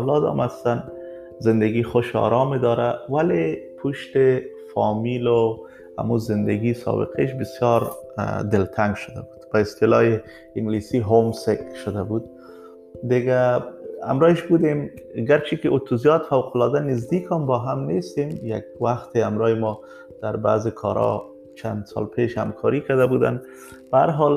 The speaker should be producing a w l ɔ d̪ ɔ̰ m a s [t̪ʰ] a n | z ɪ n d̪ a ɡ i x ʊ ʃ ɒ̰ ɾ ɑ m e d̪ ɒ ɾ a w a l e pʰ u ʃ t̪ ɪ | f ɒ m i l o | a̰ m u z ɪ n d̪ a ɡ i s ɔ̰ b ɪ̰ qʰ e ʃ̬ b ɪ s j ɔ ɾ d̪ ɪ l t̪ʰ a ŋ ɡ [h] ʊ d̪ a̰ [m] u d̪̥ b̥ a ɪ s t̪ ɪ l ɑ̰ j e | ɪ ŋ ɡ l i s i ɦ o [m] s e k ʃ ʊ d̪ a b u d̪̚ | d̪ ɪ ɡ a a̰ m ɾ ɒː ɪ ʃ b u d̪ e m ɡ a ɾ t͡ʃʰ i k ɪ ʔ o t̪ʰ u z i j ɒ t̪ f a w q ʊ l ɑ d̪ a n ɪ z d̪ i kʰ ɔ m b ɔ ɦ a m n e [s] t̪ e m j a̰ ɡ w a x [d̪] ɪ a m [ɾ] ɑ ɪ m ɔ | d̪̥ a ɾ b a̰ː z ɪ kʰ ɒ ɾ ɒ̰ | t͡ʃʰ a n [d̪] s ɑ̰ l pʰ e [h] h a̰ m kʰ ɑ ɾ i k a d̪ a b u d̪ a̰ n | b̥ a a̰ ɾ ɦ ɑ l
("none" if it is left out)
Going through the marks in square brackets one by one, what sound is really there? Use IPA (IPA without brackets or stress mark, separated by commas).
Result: t̪, ʃ, b, m, s, t̪, ɾ, d̪, ʃ